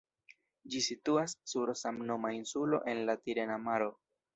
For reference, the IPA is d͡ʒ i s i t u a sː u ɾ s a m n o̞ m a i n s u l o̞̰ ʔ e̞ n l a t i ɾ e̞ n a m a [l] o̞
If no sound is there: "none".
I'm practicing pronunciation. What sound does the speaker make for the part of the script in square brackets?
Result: ɾ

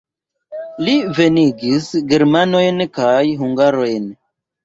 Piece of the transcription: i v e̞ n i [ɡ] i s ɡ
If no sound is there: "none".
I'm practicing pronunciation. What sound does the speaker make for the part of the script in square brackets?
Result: ɡ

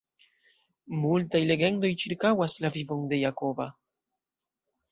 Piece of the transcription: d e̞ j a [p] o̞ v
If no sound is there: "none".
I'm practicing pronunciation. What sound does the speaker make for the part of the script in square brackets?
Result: k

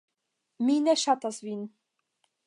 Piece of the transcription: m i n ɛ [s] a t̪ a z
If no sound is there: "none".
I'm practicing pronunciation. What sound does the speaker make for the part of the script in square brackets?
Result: ʃ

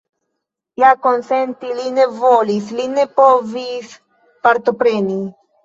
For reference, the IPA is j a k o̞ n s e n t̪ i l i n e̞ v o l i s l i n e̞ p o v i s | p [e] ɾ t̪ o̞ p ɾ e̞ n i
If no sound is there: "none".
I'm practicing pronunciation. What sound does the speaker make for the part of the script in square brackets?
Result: a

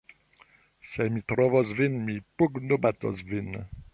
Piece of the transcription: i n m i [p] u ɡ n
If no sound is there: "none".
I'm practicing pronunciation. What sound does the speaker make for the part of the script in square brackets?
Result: p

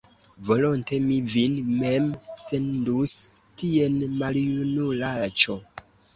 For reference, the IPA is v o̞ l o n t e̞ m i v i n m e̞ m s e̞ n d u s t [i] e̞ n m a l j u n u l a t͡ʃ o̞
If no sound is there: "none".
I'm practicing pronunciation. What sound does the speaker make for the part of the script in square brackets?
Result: i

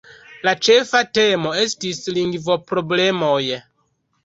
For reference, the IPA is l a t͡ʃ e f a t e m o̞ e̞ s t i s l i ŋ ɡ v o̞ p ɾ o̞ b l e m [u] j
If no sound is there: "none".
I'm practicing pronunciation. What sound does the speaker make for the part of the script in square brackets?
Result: o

